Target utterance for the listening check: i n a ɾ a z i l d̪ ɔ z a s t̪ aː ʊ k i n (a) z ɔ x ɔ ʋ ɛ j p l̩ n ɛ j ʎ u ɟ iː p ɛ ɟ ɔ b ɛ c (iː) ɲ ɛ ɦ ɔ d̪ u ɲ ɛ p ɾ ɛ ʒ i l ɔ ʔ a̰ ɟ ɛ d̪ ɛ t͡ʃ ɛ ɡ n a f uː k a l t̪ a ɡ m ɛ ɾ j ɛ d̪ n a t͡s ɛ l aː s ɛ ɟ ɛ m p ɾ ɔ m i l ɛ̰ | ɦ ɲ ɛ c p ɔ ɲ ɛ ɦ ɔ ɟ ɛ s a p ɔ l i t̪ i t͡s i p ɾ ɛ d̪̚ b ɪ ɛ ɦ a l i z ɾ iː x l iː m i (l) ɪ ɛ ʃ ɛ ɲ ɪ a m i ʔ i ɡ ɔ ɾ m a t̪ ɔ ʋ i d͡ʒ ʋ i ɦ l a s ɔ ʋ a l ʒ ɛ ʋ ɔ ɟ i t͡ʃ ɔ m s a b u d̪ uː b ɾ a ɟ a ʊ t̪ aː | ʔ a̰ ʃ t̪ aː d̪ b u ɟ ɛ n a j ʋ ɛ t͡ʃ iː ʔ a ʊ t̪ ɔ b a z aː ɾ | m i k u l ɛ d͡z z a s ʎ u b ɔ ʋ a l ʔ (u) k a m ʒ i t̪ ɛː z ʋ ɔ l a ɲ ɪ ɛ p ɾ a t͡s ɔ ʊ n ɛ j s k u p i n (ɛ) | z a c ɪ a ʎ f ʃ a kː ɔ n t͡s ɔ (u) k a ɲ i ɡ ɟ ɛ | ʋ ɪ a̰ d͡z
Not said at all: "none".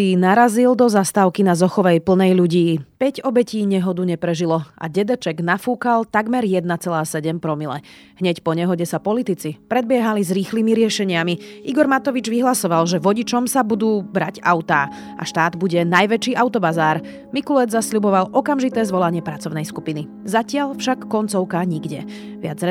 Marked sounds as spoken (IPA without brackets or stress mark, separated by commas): a, iː, ɾ, ɔ, i, ʊ